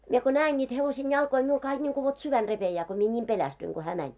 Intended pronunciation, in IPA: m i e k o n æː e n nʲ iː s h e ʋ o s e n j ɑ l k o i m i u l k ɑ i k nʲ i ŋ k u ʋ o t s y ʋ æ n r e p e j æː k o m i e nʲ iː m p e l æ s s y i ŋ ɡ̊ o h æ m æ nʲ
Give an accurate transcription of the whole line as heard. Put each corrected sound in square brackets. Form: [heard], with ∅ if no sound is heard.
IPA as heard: m i e k o n æː e n nʲ iː [t] h e ʋ o s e n j ɑ l k o i m i u l k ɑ i k nʲ i ŋ k u ʋ o t s y ʋ æ n r e p e j æː k o m i e nʲ iː m p e l æ s [t] y i ŋ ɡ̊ o h [æː] m æ nʲ

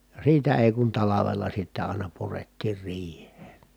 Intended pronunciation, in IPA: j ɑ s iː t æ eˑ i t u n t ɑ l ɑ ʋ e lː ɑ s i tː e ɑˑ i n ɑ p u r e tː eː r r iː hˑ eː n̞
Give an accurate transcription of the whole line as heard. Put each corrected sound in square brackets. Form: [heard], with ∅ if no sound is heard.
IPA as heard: j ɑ s iː t æ eˑ i [k] u n t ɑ l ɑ ʋ e lː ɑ s i tː [æ] ɑˑ i n ɑ p u r e tː [iː] r r iː hˑ eː n̞

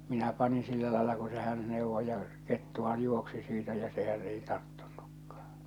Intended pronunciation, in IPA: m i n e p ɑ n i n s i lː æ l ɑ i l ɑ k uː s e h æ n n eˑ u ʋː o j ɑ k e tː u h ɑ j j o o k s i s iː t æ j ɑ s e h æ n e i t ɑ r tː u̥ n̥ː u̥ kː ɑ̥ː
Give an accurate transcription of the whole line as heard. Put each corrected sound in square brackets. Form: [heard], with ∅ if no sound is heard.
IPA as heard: m i n [æ] p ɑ n i n s i lː æ l ɑ [e] l ɑ k [u] s e h æ n n eˑ u ʋː o j ɑ k e tː u h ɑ j j [u] o k s i s iː t æ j ɑ s e h æ n e i t ɑ r tː u̥ n̥ː u̥ kː ɑ̥ː

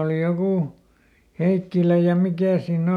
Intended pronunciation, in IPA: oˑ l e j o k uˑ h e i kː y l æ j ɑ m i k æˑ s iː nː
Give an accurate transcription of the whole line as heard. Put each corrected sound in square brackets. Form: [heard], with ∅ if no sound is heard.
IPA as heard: oˑ l [i] j o k uˑ h e i kː [i] l æ j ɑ m i k æˑ s iː nː

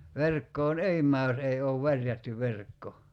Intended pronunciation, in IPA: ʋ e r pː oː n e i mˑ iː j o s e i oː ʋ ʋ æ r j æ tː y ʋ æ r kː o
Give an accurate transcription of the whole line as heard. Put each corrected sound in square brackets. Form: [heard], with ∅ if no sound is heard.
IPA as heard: ʋ e r [kː] oː n e i mˑ [æː] j o s e i oː ʋ ʋ æ r j æ tː y ʋ [e] r kː o

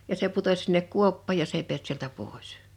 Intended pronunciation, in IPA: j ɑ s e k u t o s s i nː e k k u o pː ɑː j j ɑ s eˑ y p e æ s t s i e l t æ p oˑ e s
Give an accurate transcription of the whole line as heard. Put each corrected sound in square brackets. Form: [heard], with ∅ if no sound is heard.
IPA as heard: j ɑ s e [p] u t o s s i nː e k k u o pː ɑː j j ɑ s eˑ [i] p e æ s t s i e l t æ p oˑ e s

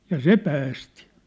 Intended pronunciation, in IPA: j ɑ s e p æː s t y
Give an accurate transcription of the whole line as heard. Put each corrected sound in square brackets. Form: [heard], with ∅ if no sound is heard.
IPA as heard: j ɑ s e p æː s t [i]

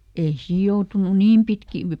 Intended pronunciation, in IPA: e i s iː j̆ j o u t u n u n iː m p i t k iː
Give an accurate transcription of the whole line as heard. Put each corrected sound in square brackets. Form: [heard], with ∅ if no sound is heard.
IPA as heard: e i s iː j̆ j o u t u n u n iː m p i t k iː

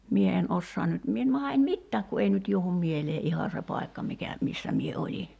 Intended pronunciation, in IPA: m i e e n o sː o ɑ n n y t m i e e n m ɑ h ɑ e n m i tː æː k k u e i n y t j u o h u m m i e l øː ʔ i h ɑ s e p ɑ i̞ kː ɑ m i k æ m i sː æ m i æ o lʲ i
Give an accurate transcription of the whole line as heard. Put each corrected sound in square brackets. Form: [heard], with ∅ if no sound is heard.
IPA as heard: m i e e n o sː o ɑ n n y t m i e e n m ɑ h ɑ e n m i tː æː k k u e i n y t j u o h u m m i e l [eː] ʔ i h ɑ s e p ɑ i̞ kː ɑ m i k æ m i sː æ m i [e] o lʲ i

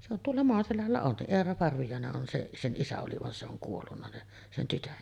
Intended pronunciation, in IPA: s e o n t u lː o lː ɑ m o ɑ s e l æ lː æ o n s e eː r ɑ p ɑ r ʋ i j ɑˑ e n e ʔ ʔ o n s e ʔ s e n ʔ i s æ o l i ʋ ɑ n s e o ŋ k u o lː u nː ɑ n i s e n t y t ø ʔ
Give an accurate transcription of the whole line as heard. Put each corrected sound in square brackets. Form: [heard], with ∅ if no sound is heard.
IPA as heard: s e o n t u [∅] o lː ɑ m o ɑ s e l æ lː æ o n s e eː r ɑ p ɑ r ʋ i j ɑˑ e n e ʔ ʔ o n s e ʔ s e n ʔ i s æ o l i ʋ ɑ n s e o ŋ k u o lː u nː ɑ n i s e n t y t ø ʔ

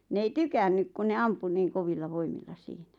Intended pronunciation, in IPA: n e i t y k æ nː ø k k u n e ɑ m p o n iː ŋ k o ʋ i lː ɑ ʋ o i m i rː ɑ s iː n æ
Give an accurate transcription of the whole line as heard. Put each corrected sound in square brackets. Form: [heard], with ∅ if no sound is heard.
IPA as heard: n e i t y k æ nː [y] k k u n e ɑ m p [u] n iː ŋ k o ʋ i lː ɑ ʋ o i m i [lː] ɑ s iː n æ

